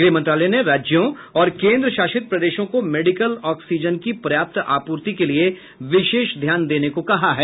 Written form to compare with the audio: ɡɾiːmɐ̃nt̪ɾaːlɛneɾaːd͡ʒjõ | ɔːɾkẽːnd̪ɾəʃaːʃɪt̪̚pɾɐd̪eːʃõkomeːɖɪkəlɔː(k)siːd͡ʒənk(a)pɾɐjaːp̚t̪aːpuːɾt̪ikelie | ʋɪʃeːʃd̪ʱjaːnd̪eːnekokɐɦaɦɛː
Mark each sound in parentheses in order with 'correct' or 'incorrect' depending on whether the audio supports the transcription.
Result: correct, incorrect: i

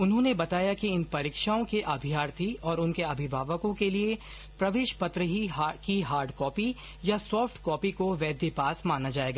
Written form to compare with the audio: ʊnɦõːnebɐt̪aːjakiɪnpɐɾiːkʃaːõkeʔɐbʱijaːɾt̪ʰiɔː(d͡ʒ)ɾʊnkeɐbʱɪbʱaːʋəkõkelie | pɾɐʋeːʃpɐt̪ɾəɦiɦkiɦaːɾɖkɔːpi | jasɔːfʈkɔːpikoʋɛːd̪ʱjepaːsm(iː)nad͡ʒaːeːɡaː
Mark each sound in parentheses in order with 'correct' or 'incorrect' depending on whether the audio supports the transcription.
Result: incorrect: none, incorrect: aː

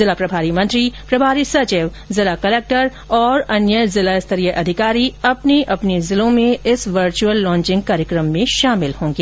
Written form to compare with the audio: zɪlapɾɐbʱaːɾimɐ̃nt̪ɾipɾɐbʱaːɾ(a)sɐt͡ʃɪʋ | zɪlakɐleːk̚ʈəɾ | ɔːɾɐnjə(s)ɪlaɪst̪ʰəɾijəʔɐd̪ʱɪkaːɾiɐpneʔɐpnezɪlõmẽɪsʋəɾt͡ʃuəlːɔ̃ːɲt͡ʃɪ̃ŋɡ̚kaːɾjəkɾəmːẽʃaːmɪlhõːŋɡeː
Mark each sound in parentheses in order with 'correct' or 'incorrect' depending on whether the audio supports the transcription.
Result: incorrect: i, incorrect: z

